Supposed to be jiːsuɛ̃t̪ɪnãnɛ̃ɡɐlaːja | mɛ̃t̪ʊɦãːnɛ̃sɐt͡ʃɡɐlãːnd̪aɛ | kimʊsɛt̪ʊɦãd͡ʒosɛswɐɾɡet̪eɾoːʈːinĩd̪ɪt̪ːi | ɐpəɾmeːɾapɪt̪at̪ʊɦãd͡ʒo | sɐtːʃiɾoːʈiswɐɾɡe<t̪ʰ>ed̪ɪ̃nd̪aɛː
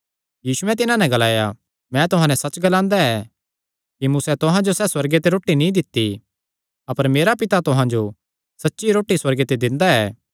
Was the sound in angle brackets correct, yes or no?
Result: no